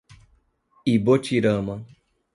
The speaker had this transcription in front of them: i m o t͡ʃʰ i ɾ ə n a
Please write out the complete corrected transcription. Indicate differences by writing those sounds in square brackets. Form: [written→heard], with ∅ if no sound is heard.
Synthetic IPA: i [m→b] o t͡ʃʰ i ɾ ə [n→m] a